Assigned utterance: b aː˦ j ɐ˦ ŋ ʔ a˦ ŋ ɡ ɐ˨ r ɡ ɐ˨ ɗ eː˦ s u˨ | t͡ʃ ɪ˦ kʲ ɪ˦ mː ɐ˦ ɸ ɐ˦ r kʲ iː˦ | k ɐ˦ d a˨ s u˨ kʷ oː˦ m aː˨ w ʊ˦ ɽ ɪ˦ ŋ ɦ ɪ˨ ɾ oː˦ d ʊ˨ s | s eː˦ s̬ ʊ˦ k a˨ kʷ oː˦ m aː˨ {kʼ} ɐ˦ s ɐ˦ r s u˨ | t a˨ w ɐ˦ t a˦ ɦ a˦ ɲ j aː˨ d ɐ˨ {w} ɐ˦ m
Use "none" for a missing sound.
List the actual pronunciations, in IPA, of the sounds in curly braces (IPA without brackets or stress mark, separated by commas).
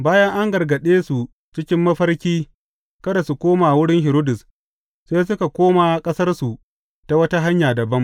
kʼ, b